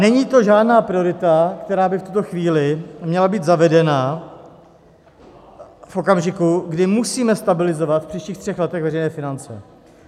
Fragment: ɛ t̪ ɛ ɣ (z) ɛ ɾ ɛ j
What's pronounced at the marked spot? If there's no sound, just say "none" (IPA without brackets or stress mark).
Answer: v